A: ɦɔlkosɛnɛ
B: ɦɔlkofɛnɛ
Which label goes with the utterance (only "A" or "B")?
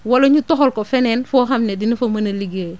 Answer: B